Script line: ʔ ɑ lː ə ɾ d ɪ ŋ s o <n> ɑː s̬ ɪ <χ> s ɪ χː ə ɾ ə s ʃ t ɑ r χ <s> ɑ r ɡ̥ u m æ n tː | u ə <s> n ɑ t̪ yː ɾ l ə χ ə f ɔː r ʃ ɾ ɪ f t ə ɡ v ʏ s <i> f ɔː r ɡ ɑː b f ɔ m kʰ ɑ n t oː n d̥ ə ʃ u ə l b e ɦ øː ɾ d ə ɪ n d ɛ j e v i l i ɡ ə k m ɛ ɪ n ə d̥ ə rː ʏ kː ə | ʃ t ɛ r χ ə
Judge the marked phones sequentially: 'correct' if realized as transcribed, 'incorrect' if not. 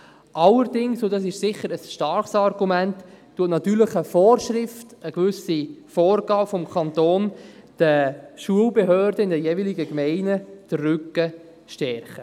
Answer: incorrect: d, incorrect: ʃ, correct, incorrect: t, correct

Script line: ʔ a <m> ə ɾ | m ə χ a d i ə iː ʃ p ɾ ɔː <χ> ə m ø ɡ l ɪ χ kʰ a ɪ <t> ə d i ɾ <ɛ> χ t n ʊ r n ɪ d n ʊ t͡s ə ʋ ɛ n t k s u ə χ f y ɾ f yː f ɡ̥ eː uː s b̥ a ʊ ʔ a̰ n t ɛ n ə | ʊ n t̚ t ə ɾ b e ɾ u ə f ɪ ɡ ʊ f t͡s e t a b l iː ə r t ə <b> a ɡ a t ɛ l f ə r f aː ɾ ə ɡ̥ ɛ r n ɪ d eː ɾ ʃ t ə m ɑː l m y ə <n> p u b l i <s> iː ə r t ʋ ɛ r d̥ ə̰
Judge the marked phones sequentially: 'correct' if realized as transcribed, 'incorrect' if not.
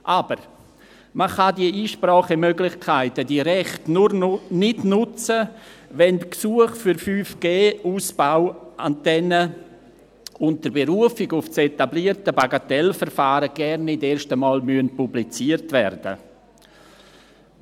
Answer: incorrect: b, correct, correct, correct, correct, correct, incorrect: t͡s

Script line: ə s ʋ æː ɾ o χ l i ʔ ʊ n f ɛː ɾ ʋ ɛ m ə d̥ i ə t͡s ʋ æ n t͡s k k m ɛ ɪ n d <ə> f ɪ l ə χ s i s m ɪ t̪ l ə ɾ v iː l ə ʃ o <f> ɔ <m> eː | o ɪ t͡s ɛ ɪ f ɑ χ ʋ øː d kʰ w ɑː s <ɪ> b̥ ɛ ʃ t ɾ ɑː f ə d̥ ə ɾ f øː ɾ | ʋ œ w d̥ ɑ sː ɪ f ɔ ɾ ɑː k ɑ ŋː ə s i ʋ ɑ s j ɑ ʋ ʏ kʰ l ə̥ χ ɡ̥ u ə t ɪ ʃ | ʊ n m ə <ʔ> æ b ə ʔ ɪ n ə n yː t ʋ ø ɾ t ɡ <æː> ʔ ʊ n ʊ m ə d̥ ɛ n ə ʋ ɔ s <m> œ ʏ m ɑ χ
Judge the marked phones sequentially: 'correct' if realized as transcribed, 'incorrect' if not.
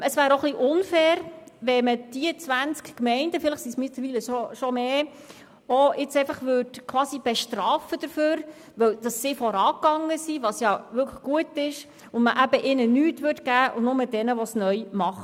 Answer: correct, incorrect: ʃ, correct, incorrect: i, correct, correct, incorrect: n

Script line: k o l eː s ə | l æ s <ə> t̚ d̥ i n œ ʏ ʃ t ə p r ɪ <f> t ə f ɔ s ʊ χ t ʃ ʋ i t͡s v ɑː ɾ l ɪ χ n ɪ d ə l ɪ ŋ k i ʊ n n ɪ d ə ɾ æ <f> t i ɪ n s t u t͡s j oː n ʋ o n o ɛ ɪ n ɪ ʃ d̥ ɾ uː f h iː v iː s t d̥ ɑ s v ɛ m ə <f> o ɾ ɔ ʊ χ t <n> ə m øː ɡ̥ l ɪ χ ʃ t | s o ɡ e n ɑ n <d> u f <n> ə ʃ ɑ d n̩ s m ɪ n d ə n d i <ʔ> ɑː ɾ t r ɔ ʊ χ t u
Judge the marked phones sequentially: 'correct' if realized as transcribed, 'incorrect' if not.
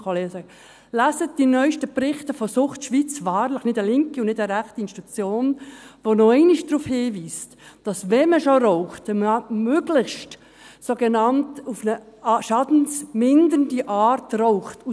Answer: correct, incorrect: χ, incorrect: χ, incorrect: ʃ, incorrect: m, incorrect: t, correct, correct

